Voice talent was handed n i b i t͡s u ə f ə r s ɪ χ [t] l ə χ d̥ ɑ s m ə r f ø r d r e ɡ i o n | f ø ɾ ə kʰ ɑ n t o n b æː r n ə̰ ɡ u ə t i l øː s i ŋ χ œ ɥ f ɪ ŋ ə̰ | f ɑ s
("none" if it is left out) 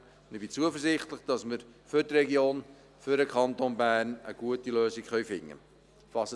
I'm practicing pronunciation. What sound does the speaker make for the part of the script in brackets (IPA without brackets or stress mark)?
t